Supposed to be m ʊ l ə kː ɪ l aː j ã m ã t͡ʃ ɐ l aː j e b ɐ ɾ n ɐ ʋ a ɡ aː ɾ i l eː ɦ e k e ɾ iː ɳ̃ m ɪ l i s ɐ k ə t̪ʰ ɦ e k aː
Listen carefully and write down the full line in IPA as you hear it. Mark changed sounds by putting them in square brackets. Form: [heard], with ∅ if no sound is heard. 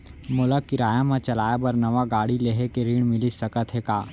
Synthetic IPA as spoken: m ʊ l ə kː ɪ [ɾ] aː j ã m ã t͡ʃ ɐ l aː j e b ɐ ɾ n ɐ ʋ a ɡ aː [ɽ] i l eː ɦ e k e ɾ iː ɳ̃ m ɪ l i s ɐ k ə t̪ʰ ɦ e k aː

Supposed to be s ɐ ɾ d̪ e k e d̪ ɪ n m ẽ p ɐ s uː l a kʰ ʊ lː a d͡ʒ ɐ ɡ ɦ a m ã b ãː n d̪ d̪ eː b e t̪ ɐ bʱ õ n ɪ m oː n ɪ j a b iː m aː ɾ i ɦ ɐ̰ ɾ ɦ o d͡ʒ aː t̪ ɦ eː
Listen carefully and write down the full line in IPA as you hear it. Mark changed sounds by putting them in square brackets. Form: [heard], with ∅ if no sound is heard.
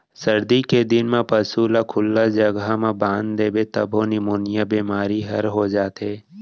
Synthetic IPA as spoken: s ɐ ɾ d̪ [i] k e d̪ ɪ n m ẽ p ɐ s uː l a kʰ ʊ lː a d͡ʒ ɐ ɡ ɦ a m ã b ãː n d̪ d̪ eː b e t̪ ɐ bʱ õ n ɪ m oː n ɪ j a b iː m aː ɾ i ɦ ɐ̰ ɾ ɦ o d͡ʒ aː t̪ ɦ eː

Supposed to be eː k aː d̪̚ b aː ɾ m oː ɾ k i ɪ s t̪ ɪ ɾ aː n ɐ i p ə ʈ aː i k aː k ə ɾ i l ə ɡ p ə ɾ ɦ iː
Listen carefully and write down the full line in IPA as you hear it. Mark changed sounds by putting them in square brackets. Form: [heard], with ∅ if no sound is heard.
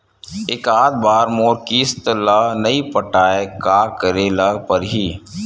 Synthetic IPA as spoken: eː k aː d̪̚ b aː ɾ m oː ɾ k i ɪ s t̪ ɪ [l] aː n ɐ i p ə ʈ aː [e] k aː k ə ɾ [e] l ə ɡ p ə ɾ ɦ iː

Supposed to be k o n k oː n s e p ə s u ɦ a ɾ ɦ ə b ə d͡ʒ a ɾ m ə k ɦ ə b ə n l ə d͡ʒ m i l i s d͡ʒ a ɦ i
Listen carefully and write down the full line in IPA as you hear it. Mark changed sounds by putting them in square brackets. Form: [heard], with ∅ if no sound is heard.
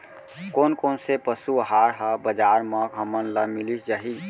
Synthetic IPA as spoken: k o n k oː n s e p ə s u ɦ a ɾ ɦ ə b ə d͡ʒ a ɾ m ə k ɦ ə [m] ə n l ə [∅] m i l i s d͡ʒ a ɦ i

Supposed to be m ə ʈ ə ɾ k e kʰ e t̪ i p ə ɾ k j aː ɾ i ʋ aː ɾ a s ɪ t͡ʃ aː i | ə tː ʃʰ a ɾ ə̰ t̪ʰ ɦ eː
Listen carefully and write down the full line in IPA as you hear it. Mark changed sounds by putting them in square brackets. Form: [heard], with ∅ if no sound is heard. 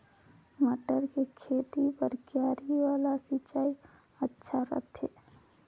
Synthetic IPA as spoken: m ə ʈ ə ɾ k e kʰ e t̪ i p ə ɾ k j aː ɾ i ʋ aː [l] a s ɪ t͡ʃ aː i | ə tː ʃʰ a ɾ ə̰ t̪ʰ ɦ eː

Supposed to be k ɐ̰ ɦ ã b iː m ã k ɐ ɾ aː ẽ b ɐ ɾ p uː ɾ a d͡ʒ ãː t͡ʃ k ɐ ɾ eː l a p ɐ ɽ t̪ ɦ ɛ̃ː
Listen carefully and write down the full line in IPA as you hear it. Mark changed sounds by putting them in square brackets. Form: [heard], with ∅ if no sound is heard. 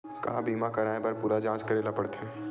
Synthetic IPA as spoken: k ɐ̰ ɦ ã b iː m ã k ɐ ɾ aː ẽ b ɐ ɾ p uː ɾ a d͡ʒ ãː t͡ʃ k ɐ ɾ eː l a p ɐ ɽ t̪ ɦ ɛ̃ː

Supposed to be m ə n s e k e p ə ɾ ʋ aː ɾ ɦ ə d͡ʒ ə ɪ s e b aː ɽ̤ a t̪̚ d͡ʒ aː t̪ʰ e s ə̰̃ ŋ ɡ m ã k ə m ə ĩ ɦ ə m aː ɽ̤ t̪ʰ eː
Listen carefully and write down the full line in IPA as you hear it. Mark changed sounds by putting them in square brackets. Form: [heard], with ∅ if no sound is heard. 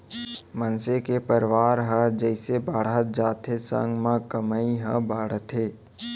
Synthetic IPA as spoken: m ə n s e k e p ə ɾ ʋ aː ɾ ɦ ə d͡ʒ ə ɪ s e b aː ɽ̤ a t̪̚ d͡ʒ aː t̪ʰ e s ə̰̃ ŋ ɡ m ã k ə m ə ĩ ɦ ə [b] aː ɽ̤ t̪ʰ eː

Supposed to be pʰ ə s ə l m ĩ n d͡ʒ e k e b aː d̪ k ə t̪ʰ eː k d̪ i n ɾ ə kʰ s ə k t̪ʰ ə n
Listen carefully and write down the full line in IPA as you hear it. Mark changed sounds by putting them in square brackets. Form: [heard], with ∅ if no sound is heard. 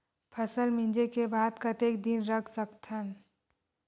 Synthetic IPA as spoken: pʰ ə s ə l m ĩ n d͡ʒ e k e b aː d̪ k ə [t̪] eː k d̪ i n ɾ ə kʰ s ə k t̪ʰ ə n

